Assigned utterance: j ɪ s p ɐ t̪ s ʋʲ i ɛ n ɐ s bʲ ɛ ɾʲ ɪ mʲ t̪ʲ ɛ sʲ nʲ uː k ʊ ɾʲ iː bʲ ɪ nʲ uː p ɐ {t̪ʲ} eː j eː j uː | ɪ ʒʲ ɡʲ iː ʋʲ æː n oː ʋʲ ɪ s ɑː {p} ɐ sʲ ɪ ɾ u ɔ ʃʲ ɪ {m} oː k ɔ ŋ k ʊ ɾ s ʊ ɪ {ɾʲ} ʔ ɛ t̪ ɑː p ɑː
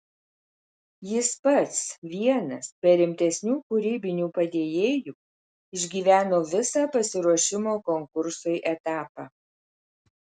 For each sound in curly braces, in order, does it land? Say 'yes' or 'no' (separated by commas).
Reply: no, yes, yes, no